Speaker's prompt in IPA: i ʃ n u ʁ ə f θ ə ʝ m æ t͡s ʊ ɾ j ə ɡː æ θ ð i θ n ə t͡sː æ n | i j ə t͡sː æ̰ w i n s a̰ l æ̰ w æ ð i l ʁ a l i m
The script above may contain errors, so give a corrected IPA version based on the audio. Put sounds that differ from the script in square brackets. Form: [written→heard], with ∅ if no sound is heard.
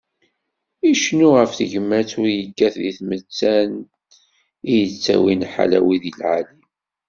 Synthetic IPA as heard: i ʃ n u ʁ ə f θ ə ʝ m æ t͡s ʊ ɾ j ə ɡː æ θ ð i θ [n→m] ə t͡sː æ n | i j ə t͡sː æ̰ w i n [s→ħ] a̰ l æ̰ w [æ→i] ð i l [ʁ→ʕ] a l i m